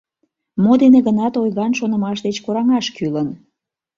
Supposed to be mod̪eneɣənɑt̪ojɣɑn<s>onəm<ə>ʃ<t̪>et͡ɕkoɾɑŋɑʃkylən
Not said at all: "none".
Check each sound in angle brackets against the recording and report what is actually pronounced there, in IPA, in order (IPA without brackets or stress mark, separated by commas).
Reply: ʃ, ɑ, d̪